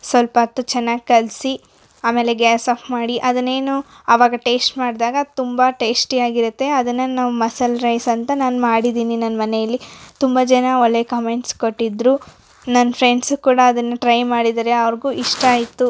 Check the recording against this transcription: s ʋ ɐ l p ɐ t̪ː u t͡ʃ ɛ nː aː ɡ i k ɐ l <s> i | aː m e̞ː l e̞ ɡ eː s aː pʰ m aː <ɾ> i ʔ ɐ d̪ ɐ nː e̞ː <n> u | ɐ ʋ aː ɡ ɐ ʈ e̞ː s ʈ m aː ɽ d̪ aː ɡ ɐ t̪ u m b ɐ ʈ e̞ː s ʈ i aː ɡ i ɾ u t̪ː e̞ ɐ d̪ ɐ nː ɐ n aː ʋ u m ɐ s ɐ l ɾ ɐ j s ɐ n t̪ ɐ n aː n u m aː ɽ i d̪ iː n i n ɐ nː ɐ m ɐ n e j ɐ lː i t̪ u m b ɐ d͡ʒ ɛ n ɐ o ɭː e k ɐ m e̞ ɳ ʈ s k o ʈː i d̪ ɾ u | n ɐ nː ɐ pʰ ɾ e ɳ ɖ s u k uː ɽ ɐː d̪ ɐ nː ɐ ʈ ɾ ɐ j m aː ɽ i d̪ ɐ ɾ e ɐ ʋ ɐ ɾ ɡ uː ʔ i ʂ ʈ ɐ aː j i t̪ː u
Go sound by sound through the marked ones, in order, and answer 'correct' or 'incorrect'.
correct, incorrect: ɽ, correct

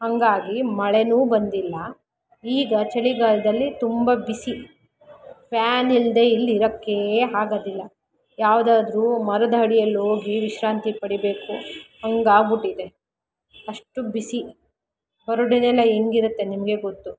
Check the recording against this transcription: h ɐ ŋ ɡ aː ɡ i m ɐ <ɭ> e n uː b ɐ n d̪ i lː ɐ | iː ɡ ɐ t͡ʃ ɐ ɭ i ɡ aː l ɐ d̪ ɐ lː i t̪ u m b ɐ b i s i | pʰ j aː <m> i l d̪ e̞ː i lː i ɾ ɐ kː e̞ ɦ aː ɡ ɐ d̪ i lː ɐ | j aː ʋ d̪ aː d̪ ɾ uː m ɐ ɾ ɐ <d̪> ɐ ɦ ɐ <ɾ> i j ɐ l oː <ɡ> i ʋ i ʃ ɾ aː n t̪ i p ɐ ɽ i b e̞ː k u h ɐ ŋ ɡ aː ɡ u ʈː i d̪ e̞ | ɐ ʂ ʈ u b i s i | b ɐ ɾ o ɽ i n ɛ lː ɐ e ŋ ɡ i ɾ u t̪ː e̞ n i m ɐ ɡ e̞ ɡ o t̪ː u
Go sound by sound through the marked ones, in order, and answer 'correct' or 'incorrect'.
correct, incorrect: n, correct, incorrect: ɽ, correct

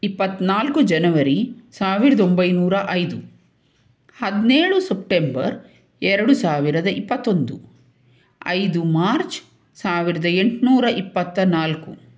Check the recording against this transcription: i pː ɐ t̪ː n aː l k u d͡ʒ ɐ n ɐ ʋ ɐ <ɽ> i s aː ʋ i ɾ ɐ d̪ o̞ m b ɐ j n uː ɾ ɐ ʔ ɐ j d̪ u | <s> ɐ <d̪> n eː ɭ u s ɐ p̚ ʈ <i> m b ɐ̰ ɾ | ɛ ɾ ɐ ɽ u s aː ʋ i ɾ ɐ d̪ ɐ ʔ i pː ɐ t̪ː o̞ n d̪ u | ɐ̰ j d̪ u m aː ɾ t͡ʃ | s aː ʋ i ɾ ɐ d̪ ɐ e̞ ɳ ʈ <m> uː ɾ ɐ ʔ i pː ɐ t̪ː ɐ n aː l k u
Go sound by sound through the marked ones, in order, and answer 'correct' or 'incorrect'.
incorrect: ɾ, incorrect: h, correct, incorrect: e, incorrect: n

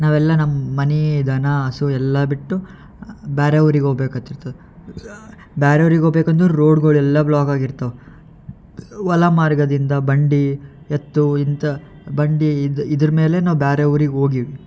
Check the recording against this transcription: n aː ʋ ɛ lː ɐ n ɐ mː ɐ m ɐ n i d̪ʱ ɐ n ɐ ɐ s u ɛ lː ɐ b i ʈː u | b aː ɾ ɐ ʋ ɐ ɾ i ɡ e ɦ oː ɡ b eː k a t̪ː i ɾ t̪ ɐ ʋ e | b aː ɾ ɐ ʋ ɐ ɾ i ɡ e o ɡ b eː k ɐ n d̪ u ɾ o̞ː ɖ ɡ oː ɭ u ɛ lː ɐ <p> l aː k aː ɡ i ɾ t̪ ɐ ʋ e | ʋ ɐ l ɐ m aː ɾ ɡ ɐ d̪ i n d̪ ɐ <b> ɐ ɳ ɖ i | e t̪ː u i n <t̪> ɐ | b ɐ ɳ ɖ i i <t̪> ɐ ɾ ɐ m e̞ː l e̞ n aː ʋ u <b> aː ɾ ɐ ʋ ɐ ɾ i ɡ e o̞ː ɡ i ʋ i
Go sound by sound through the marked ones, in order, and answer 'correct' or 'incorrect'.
incorrect: b, correct, correct, incorrect: d̪, correct

